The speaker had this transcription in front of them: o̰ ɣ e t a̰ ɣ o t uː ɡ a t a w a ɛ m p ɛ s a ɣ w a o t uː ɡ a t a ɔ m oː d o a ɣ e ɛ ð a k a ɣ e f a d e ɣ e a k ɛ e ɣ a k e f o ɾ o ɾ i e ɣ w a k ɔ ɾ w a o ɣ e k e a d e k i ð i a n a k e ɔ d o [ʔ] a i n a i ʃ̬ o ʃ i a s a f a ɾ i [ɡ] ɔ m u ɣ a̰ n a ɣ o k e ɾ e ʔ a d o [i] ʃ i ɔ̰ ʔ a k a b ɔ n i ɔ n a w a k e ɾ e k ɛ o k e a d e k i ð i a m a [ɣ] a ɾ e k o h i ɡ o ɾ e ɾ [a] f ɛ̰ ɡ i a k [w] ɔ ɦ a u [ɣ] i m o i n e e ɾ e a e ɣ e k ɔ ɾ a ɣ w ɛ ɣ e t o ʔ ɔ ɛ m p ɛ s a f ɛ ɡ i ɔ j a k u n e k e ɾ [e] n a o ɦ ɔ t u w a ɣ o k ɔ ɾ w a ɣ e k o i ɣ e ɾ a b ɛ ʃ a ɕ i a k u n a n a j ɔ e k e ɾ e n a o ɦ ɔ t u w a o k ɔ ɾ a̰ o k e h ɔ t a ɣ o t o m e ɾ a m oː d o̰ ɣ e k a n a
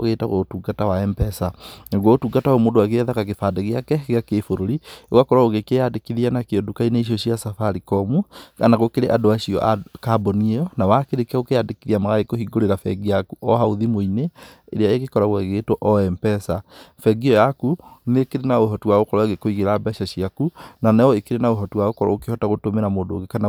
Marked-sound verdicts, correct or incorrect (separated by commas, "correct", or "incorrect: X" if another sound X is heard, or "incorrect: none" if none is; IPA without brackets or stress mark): incorrect: k, incorrect: k, incorrect: a, correct, correct, incorrect: u, incorrect: ð, correct